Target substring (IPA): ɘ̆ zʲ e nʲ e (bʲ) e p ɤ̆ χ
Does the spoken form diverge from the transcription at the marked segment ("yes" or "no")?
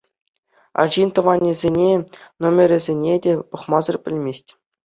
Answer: yes